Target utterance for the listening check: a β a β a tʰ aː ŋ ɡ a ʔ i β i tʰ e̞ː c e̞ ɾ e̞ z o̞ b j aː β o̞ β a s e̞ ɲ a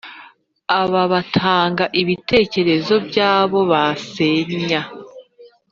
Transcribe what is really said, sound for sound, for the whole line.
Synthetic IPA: a β a β a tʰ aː ŋ ɡ a ʔ i β i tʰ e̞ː c e̞ ɾ e̞ z o̞ b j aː β o̞ β a s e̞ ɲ a